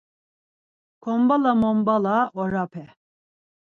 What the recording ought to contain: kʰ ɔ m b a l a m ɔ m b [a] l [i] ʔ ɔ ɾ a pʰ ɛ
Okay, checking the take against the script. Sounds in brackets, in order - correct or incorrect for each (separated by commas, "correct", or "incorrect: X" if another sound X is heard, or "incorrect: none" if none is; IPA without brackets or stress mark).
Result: correct, incorrect: a